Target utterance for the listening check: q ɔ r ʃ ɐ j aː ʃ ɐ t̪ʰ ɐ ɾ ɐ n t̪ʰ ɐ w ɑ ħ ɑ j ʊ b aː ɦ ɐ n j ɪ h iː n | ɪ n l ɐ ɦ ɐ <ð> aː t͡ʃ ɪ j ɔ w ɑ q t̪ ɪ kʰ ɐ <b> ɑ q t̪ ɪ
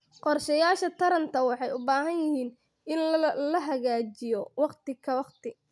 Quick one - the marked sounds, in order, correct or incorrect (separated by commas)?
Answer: incorrect, incorrect